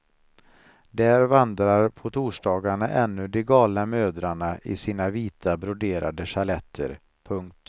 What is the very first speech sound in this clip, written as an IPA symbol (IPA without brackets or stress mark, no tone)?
d̪